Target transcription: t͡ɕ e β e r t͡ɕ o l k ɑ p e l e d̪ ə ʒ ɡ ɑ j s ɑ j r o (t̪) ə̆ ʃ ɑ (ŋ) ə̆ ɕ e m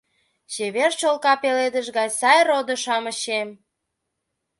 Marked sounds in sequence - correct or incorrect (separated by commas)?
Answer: incorrect, incorrect